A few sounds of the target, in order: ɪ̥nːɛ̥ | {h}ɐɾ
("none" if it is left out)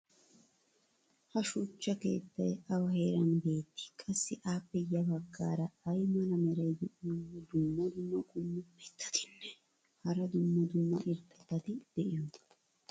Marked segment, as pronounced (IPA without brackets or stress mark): h